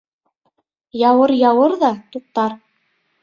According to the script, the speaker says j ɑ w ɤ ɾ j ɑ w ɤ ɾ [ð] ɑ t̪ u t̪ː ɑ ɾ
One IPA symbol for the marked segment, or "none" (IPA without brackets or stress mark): ð